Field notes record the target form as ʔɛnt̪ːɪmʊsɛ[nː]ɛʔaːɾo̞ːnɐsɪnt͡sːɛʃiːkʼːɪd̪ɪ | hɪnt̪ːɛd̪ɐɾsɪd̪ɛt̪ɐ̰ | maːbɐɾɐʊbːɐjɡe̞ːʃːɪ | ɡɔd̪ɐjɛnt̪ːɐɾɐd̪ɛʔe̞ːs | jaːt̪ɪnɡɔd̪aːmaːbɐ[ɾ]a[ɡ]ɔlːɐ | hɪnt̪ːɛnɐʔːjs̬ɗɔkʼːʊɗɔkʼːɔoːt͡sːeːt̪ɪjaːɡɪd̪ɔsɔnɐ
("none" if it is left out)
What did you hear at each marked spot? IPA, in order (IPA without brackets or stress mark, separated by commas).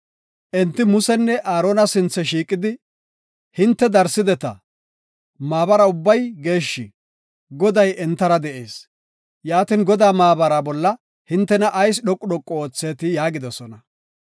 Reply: nː, ɾ, b